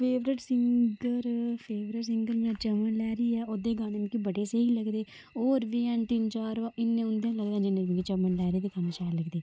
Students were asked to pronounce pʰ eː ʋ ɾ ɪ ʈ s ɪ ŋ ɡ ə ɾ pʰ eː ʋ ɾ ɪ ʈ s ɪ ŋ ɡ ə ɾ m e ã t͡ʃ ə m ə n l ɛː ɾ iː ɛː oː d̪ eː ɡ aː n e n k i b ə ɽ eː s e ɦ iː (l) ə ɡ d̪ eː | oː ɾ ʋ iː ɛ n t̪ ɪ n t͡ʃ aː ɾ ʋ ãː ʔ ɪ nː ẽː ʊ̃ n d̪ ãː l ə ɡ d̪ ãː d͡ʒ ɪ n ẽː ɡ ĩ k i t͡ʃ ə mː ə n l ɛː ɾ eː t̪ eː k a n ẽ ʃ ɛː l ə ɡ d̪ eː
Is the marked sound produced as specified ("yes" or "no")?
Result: yes